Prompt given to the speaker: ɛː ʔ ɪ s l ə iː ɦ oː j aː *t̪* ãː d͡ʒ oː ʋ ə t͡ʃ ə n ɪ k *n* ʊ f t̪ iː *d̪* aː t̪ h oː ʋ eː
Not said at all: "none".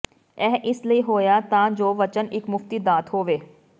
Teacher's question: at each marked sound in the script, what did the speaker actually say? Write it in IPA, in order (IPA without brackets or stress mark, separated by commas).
t̪, m, d̪